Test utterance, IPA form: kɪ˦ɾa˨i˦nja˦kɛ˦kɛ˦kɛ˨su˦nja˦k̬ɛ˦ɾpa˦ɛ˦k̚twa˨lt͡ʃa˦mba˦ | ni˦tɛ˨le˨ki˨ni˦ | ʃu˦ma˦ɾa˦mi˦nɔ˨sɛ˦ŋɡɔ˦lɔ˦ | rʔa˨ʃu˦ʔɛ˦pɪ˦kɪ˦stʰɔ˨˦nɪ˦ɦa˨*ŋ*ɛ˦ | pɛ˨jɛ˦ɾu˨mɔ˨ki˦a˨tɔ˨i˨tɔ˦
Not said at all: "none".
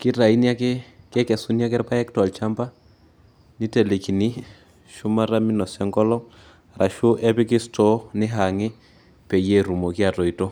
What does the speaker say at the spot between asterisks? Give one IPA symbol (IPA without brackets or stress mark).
ŋ